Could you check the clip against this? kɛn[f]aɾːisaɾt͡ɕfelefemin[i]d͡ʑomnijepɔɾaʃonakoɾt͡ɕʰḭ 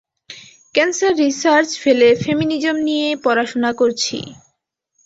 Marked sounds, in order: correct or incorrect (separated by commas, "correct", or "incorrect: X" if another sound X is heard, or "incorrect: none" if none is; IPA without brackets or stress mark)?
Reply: incorrect: s, correct